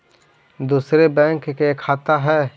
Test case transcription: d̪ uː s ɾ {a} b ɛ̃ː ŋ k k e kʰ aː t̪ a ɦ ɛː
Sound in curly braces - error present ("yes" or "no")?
yes